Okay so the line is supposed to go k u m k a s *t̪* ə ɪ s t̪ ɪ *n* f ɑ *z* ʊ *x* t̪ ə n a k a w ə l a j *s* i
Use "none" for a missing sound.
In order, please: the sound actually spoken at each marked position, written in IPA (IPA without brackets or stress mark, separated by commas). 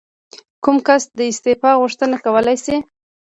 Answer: d̪, none, ɣ, ʂ, s